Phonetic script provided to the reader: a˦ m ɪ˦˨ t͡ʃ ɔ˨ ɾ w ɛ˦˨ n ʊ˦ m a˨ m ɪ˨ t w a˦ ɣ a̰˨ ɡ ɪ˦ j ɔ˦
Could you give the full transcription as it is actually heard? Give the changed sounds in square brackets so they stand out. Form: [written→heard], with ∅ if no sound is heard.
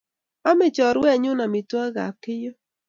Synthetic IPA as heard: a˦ m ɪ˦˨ t͡ʃ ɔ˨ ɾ w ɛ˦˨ [n→ɲ] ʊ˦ [m→n] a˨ m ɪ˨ t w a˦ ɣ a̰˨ [ɡ→k] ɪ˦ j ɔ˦